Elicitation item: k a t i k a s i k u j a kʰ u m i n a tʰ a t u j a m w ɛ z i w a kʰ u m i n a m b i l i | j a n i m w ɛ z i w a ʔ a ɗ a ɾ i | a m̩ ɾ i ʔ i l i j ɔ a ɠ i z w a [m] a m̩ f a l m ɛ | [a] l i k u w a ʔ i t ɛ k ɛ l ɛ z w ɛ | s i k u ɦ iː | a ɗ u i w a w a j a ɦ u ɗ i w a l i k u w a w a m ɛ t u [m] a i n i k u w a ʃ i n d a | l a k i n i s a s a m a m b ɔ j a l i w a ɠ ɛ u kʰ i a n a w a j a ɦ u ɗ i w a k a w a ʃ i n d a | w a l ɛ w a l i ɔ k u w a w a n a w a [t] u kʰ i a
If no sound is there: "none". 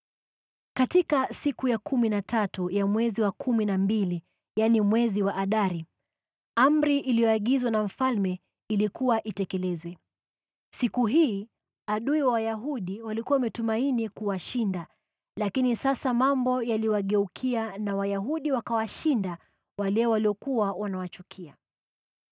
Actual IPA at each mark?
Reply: n, i, m, t͡ʃ

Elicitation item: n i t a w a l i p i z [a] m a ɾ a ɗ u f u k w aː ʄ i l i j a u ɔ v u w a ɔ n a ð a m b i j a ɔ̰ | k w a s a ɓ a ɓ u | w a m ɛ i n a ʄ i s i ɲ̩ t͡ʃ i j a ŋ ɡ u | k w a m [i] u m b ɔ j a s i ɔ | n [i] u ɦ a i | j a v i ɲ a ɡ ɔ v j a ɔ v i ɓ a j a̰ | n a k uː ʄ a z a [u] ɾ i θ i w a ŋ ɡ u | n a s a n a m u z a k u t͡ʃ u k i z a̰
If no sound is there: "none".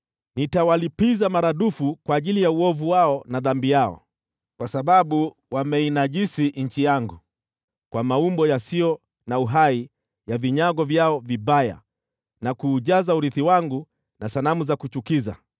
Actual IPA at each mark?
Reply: a, a, a, u

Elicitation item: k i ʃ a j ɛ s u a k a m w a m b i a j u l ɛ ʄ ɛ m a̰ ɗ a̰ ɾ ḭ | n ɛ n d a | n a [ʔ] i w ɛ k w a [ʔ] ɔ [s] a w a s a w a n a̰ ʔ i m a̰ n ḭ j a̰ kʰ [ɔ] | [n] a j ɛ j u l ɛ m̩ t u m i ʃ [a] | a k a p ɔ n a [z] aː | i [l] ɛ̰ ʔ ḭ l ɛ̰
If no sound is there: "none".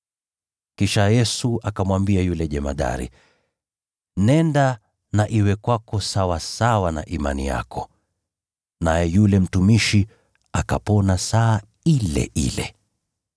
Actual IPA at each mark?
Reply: ʔ, k, s, ɔ, n, i, s, l

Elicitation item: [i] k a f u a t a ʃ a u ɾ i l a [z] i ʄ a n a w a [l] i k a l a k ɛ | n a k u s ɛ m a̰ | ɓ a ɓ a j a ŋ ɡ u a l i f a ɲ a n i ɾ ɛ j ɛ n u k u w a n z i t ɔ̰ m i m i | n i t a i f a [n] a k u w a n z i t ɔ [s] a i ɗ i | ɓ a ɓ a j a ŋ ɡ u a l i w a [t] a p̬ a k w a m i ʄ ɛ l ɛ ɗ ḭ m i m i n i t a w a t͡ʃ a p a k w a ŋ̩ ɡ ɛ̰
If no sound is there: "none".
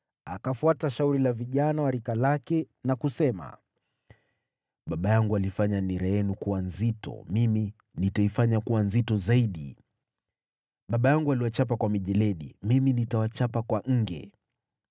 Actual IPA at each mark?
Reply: a, v, ɾ, ɲ, z, t͡ʃ

